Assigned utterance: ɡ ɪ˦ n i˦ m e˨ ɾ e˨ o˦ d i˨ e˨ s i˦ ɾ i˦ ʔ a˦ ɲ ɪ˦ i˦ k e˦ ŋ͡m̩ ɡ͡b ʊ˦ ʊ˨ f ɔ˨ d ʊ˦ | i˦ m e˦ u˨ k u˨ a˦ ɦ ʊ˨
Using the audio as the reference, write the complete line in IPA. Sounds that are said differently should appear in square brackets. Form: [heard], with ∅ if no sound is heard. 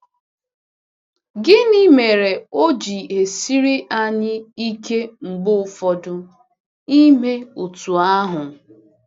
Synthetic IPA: ɡ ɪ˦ n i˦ m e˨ ɾ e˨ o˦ [d͡ʒ] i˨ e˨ s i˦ ɾ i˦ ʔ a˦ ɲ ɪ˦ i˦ k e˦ ŋ͡m̩ ɡ͡b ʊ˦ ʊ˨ f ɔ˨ d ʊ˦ | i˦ m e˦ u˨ [t] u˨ a˦ ɦ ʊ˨

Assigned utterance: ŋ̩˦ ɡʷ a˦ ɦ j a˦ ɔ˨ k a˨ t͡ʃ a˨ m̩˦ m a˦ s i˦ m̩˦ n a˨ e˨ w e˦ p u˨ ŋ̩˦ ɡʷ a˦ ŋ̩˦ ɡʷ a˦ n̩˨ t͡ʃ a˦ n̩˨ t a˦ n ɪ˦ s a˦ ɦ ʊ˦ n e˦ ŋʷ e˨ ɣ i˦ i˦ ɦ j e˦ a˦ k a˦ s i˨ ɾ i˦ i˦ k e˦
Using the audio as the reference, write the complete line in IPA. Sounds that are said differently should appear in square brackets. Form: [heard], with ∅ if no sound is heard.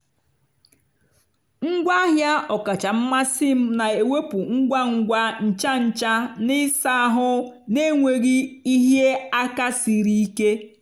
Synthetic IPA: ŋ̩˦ ɡʷ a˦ ɦ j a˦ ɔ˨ k a˨ t͡ʃ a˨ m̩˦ m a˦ s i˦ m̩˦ n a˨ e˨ w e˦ p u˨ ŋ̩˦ ɡʷ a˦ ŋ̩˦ ɡʷ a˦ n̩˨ t͡ʃ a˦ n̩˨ [t͡ʃ] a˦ n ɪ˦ s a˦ ɦ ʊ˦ n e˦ ŋʷ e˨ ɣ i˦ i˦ ɦ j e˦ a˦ k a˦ s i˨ ɾ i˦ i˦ k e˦

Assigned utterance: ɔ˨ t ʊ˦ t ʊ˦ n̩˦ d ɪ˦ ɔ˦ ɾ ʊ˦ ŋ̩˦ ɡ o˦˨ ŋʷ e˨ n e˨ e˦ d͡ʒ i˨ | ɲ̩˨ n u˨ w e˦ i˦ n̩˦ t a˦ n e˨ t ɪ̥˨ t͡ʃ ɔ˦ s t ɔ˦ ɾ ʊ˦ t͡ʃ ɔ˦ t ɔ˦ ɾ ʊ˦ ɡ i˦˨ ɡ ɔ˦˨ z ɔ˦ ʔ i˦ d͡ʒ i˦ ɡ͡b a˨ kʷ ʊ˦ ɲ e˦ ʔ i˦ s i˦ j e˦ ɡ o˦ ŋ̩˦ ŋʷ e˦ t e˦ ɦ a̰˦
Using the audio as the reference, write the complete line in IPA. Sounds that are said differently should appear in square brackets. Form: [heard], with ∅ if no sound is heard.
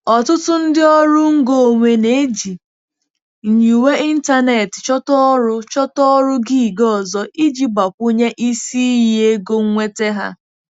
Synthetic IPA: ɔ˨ t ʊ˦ t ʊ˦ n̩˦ d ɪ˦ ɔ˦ ɾ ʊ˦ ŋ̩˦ ɡ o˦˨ ŋʷ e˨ n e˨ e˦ d͡ʒ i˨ | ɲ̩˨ [ɲ] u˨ w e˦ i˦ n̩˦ t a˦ n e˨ t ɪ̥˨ t͡ʃ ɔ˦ [∅] t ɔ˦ ɾ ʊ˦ t͡ʃ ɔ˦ t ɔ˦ ɾ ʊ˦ ɡ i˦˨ ɡ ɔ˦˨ z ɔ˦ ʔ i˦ d͡ʒ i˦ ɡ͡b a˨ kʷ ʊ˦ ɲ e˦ ʔ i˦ s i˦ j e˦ ɡ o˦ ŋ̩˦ ŋʷ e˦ t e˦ ɦ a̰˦

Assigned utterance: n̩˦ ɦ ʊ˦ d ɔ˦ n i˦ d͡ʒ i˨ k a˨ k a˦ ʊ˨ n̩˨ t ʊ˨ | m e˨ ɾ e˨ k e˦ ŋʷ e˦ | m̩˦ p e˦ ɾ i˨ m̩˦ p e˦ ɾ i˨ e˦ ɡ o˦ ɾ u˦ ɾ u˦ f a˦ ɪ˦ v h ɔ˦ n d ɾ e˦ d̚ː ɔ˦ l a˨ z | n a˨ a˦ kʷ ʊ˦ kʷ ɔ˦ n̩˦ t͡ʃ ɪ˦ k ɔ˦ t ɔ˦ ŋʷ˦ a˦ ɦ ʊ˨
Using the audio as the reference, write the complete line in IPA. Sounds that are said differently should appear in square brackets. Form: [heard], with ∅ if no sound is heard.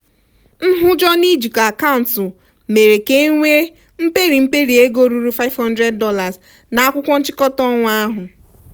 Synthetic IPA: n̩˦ ɦ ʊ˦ [d͡ʒ] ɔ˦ n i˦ d͡ʒ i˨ k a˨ k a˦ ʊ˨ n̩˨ t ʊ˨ | m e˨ ɾ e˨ k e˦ ŋʷ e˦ | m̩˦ p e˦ ɾ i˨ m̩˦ p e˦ ɾ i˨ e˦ ɡ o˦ ɾ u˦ ɾ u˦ f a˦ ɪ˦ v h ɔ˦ n d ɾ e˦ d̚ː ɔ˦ l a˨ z | n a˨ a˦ kʷ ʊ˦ kʷ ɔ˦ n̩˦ t͡ʃ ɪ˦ k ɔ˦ t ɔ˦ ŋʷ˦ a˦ ɦ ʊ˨

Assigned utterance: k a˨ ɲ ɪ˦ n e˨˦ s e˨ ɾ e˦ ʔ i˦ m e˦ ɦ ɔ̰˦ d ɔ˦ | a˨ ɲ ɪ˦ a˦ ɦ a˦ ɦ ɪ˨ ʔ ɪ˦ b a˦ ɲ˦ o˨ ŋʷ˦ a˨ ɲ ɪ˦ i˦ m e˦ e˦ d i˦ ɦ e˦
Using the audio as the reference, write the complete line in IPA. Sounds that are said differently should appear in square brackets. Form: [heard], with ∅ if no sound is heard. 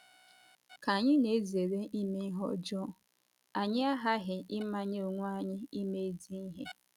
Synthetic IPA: k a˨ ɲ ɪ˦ n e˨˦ [z] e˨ ɾ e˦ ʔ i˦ m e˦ ɦ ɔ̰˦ [d͡ʒ] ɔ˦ | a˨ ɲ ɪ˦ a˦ ɦ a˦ ɦ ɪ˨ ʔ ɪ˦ [m] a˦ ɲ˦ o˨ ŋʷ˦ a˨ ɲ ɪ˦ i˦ m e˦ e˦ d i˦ ɦ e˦

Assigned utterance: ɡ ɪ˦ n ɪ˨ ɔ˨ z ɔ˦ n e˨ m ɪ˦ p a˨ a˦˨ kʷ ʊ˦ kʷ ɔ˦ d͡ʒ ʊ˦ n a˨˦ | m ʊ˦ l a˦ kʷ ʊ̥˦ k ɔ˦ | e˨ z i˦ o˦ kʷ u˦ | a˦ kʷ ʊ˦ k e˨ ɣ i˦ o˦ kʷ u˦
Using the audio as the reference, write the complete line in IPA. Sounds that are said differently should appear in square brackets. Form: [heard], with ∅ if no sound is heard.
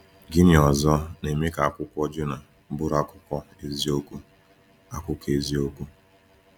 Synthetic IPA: ɡ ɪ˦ n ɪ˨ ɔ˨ z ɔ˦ n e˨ m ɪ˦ [k] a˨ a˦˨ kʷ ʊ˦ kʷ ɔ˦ d͡ʒ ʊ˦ n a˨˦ | [b] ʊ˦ [ɾ] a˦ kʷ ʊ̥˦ k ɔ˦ | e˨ z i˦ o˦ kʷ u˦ | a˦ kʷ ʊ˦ k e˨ [z] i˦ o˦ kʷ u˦

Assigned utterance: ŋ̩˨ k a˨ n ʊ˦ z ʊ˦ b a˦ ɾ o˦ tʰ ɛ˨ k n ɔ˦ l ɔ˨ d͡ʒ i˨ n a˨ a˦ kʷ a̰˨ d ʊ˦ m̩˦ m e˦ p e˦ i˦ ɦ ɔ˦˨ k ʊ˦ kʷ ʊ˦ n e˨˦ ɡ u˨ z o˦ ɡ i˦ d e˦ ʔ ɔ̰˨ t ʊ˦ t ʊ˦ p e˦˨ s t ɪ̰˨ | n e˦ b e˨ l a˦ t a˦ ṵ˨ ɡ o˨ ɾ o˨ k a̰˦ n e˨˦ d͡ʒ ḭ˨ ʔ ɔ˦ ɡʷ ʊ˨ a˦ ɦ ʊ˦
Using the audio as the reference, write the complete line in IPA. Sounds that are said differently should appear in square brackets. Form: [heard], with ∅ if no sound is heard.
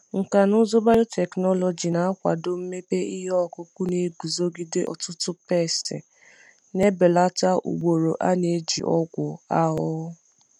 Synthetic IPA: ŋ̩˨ k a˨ n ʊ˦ z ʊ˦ b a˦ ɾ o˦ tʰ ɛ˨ k n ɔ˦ l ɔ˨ d͡ʒ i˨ n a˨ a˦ kʷ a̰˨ d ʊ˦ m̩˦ m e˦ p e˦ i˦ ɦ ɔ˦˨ k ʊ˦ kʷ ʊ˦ n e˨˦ ɡ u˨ z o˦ ɡ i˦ d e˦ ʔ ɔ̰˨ t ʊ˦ t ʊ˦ p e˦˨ s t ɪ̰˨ | n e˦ b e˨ l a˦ t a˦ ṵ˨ [ɡ͡b] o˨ ɾ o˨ [ʔ] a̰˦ n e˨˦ d͡ʒ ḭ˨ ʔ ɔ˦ ɡʷ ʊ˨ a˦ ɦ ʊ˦

